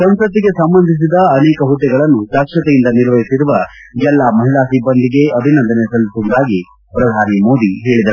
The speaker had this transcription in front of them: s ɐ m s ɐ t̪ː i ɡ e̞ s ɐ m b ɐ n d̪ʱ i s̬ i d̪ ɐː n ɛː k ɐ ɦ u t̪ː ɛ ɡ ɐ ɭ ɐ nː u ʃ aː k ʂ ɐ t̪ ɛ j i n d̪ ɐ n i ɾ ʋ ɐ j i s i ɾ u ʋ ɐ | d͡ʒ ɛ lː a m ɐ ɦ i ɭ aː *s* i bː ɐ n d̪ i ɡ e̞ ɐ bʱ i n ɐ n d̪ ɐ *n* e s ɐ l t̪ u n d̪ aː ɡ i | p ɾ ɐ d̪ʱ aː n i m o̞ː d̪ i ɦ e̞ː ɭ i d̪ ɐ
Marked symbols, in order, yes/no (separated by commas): yes, yes